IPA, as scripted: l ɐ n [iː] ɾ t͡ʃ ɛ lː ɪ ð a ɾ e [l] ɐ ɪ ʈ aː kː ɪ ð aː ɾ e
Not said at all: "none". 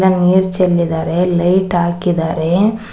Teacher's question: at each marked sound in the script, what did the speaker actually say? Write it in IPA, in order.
iː, l

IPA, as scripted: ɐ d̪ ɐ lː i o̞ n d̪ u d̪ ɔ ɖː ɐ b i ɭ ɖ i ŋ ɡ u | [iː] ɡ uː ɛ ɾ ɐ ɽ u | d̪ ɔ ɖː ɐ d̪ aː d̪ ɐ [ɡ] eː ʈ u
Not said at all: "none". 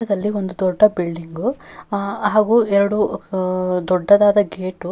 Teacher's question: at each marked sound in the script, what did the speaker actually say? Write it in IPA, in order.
aː, ɡ

